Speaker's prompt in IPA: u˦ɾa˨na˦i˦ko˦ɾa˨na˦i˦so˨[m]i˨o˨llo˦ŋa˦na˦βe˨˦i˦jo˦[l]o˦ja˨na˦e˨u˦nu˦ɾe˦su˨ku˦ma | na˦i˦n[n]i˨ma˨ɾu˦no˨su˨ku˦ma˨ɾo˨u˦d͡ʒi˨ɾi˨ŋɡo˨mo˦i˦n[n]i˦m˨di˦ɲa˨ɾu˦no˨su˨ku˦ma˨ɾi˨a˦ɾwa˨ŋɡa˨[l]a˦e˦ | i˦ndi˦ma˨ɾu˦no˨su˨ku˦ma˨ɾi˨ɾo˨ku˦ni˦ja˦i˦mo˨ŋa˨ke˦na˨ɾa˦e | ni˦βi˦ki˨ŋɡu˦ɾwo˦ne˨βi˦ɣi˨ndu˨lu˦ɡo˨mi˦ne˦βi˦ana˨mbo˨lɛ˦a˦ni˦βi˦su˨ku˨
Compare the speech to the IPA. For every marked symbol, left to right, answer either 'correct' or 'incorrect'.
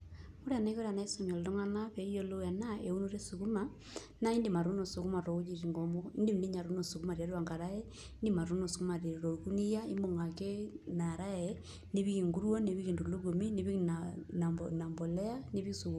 correct, correct, incorrect, incorrect, incorrect

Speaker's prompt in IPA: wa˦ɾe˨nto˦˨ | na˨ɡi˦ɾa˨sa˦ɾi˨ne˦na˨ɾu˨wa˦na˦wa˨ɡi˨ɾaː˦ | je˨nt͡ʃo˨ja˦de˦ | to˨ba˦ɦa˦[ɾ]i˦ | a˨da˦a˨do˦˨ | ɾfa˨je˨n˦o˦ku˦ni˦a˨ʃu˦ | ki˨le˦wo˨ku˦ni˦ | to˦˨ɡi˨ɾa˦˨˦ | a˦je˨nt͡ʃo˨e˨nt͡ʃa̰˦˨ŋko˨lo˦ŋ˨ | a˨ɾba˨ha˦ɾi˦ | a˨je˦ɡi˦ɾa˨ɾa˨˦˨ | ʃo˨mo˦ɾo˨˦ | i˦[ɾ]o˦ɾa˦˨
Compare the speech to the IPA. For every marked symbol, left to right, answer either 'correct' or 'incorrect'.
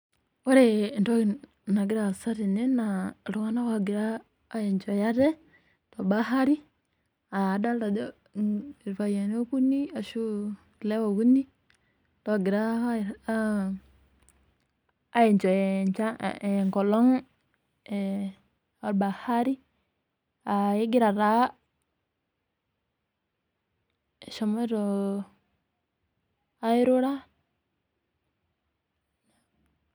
correct, correct

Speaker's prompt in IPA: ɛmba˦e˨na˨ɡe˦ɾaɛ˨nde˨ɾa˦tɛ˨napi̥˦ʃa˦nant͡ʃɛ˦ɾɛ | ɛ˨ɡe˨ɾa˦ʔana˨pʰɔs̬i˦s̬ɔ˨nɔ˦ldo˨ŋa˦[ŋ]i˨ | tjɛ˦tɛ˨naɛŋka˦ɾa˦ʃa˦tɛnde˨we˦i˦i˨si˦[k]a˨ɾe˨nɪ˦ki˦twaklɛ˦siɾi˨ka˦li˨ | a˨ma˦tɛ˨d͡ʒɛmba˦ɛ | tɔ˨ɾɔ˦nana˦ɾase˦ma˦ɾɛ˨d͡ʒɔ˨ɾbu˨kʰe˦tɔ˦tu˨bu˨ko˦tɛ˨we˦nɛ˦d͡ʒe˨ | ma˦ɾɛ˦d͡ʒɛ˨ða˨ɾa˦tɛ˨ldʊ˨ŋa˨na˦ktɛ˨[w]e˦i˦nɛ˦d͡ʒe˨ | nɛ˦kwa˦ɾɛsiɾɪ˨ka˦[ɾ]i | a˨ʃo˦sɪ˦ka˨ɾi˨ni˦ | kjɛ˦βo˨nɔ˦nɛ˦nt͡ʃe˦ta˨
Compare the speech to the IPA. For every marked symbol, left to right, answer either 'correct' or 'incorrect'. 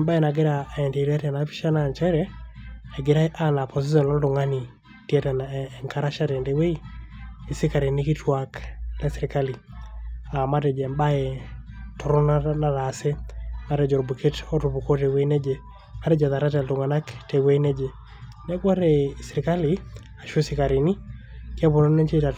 incorrect, correct, correct, incorrect

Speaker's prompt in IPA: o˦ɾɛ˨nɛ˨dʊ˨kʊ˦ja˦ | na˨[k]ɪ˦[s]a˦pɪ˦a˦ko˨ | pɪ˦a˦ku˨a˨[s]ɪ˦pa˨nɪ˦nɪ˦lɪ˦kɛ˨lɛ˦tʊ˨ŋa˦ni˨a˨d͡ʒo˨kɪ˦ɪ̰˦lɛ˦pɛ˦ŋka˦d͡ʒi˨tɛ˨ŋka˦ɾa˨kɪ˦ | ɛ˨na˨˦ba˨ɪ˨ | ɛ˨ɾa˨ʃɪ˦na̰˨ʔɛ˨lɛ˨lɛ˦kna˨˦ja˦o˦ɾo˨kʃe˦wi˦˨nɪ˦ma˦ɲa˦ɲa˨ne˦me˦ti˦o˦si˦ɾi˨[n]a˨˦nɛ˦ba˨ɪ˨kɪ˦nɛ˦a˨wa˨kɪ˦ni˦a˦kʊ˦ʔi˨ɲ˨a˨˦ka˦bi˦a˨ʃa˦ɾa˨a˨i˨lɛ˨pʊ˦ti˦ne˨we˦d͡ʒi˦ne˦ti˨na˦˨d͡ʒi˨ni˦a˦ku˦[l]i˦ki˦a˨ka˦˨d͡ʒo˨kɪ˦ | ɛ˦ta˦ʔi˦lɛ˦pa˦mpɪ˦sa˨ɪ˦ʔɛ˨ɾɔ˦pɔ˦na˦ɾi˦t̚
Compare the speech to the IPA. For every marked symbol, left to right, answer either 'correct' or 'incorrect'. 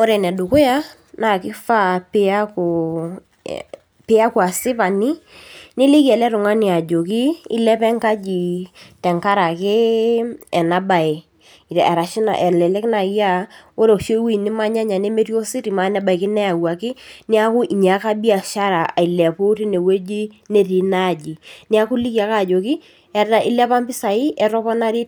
correct, incorrect, correct, incorrect, correct

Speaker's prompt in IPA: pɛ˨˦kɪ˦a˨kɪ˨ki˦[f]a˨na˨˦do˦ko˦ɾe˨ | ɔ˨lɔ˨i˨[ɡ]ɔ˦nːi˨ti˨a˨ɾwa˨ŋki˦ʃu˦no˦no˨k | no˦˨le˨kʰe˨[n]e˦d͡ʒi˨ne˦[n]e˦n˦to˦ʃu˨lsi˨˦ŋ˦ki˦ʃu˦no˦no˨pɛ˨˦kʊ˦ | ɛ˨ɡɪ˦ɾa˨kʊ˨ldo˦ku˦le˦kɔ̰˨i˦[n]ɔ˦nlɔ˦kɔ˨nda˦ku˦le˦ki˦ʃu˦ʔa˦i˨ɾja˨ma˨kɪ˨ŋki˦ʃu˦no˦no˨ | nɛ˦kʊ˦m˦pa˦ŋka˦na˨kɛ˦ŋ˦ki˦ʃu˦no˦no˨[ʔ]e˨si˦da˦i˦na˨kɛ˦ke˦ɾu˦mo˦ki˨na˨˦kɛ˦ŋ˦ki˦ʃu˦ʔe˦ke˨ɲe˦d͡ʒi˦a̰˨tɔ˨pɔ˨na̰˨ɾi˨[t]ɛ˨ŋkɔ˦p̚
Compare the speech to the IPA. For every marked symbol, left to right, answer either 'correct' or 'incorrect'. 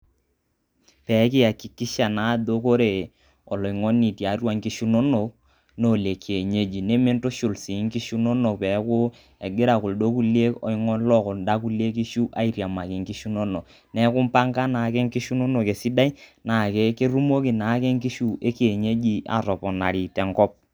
incorrect, incorrect, incorrect, incorrect, incorrect, incorrect, correct

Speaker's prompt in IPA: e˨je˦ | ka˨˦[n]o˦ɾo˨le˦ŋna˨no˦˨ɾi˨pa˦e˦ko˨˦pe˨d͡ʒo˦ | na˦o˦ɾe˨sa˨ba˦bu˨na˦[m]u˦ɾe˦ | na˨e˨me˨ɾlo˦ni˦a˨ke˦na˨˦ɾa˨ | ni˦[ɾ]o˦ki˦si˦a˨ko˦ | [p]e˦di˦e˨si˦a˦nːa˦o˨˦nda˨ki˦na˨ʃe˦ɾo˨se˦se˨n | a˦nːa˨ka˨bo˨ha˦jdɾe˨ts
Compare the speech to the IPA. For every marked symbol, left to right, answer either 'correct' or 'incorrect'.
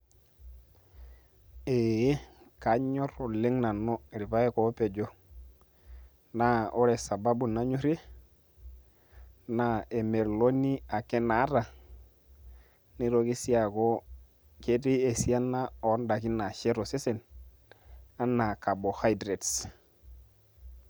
incorrect, incorrect, correct, incorrect

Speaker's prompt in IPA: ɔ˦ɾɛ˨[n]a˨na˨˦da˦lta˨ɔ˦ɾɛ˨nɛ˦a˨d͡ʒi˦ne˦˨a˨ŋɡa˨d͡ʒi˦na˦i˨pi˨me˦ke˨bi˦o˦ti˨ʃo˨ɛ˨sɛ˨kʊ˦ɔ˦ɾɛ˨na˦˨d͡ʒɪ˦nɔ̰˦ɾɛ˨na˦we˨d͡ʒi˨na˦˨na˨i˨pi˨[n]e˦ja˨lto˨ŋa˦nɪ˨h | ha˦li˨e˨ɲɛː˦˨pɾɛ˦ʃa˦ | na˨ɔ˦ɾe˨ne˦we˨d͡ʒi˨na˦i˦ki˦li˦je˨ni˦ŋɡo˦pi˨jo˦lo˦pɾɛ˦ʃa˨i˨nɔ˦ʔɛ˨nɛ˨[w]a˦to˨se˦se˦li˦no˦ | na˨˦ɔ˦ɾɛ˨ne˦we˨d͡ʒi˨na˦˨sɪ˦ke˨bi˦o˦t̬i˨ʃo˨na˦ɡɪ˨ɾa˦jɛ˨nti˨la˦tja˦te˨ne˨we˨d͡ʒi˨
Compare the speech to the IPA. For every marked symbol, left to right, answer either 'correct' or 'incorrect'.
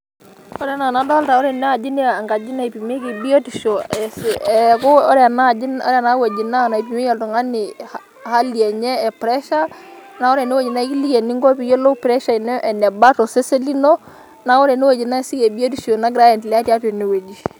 correct, incorrect, incorrect

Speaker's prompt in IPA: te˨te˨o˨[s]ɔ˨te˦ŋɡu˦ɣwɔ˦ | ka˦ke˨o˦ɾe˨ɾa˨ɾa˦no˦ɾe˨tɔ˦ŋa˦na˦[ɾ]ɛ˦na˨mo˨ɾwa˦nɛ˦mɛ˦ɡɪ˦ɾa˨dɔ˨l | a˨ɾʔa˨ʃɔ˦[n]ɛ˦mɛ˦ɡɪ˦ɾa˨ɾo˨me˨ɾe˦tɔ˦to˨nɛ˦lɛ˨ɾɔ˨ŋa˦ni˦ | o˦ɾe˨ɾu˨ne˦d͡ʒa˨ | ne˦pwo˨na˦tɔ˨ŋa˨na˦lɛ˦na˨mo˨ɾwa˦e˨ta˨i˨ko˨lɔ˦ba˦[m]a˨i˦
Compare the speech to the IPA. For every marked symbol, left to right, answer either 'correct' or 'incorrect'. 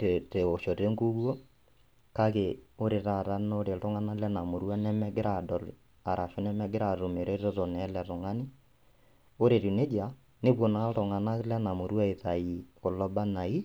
incorrect, incorrect, correct, incorrect

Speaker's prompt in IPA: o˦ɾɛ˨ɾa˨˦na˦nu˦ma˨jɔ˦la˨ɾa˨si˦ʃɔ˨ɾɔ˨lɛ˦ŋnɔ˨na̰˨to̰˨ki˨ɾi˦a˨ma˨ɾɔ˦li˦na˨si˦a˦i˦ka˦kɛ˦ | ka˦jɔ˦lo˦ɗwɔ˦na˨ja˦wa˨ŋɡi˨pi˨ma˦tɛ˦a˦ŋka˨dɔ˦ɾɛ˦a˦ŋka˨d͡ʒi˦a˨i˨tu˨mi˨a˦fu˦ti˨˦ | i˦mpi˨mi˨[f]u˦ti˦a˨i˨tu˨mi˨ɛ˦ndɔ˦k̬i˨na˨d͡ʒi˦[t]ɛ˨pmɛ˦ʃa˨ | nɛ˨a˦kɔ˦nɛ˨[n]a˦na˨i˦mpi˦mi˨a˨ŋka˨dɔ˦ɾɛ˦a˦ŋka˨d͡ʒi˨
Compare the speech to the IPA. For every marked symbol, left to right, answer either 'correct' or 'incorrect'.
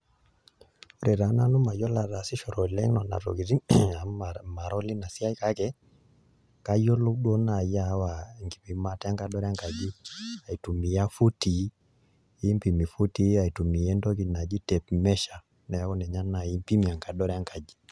correct, correct, incorrect

